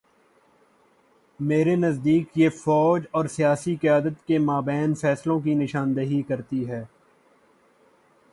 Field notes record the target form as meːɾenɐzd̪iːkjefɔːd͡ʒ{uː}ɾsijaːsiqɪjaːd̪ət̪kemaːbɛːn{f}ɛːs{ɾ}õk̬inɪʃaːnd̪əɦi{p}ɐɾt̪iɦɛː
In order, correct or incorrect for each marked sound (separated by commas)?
incorrect, correct, incorrect, incorrect